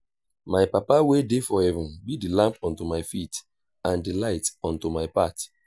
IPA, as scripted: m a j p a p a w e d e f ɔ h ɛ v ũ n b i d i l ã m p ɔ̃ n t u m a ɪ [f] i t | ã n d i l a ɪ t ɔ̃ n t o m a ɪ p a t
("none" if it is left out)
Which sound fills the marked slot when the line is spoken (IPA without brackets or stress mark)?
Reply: f